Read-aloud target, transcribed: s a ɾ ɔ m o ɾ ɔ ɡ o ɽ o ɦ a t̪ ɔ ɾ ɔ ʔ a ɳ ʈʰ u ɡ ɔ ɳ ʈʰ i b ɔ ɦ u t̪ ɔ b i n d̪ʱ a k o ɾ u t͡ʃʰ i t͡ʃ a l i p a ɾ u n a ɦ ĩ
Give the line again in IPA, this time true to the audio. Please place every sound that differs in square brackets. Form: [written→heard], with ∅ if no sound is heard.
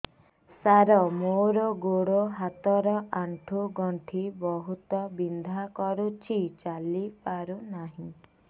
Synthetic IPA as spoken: s a ɾ ɔ m o ɾ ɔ ɡ o ɽ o ɦ a t̪ ɔ ɾ ɔ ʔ a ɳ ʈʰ u ɡ ɔ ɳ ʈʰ i b ɔ ɦ u t̪ ɔ b i n d̪ʱ a k [o→ɔ] ɾ u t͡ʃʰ i t͡ʃ a l i p a ɾ u n a ɦ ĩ